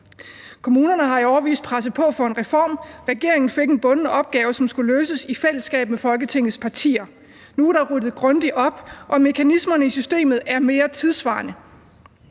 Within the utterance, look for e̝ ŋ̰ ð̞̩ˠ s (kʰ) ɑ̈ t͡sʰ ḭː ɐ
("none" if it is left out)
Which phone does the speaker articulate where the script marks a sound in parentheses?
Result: pʰ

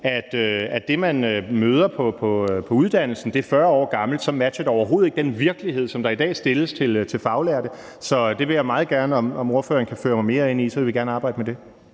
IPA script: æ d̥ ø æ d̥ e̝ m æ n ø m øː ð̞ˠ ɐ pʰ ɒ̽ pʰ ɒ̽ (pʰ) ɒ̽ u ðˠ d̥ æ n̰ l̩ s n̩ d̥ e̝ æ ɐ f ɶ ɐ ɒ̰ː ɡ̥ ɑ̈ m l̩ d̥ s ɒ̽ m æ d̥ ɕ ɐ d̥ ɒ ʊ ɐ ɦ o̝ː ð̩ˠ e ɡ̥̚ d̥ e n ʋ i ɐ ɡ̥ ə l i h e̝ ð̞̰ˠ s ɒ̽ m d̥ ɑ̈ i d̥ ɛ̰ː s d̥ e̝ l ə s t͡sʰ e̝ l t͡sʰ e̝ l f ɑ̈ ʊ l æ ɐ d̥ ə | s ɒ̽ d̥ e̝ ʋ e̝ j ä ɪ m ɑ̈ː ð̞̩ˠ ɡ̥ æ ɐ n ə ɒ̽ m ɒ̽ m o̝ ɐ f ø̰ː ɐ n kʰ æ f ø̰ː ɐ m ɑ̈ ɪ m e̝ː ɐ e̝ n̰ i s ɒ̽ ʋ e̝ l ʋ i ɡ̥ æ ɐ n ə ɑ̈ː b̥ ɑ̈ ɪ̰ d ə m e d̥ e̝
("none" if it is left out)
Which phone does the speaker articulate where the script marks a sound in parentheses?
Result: pʰ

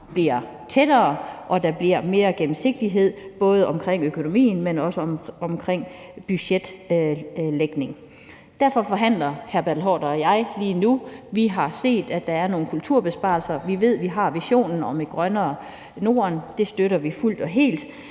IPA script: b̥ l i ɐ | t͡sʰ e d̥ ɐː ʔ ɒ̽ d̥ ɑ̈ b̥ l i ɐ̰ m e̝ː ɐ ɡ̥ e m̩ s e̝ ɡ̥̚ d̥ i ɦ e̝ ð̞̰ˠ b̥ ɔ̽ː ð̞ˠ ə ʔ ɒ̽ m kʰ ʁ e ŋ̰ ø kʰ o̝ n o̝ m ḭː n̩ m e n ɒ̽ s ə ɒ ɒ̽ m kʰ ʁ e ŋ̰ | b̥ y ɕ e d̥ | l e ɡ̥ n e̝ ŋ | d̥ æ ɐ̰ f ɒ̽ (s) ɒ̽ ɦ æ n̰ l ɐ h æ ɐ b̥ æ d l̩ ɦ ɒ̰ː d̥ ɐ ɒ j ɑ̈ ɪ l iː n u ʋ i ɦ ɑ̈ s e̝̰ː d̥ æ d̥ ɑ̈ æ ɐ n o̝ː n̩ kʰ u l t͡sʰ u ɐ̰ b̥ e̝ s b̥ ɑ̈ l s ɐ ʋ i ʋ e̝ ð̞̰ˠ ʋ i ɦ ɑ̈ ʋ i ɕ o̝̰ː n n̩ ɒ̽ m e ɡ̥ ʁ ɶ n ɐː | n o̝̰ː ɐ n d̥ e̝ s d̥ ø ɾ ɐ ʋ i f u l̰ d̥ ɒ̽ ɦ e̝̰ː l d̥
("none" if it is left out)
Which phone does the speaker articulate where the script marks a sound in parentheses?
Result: f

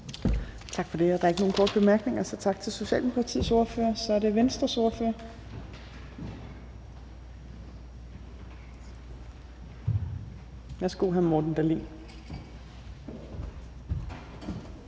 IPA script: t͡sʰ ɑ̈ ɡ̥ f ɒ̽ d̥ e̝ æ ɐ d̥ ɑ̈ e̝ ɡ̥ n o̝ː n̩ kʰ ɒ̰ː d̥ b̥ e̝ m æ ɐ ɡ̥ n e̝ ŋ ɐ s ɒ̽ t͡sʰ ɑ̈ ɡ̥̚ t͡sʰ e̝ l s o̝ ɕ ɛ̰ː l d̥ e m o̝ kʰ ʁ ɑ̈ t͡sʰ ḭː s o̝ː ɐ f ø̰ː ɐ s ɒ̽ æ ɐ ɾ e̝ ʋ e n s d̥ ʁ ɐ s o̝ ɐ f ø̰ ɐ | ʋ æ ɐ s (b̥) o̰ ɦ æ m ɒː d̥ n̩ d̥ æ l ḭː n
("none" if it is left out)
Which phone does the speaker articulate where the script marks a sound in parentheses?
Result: ɡ̥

